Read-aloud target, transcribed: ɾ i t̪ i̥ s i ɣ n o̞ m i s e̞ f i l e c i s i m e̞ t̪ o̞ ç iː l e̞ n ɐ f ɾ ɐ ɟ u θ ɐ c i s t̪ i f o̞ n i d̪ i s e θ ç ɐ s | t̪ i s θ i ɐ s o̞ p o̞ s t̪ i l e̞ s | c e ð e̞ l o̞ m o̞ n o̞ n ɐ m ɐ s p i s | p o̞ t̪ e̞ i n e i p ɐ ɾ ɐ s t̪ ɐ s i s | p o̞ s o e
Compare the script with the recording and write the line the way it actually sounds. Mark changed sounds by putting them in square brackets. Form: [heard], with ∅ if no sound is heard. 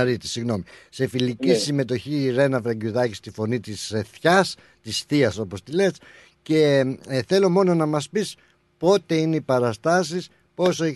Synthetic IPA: ɾ i t̪ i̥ s i ɣ n o̞ m i s e̞ f i l [i] c i s i m e̞ t̪ o̞ ç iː [ɾ] e̞ n ɐ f ɾ ɐ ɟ u [ð] ɐ c i s t̪ i f o̞ n i [t̪] i s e θ ç ɐ s | t̪ i s θ i ɐ s o̞ p o̞ s t̪ i l e̞ s | c e [θ] e̞ l o̞ m o̞ n o̞ n ɐ m ɐ s p i s | p o̞ t̪ e̞ i n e i p ɐ ɾ ɐ s t̪ ɐ s i s | p o̞ s o e